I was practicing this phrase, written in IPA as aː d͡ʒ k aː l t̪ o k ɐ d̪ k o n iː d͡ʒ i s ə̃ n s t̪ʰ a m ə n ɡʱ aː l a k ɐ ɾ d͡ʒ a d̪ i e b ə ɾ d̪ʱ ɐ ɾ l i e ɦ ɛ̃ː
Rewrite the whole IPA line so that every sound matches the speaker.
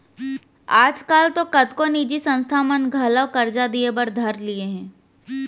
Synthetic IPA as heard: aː d͡ʒ k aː l t̪ o k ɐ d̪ k o n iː d͡ʒ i s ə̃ n s t̪ʰ a m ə n ɡʱ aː l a k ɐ ɾ d͡ʒ a d̪ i e b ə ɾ d̪ʱ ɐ ɾ l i e ɦ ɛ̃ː